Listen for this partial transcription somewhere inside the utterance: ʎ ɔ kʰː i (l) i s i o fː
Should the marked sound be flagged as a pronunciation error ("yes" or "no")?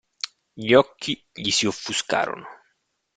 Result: yes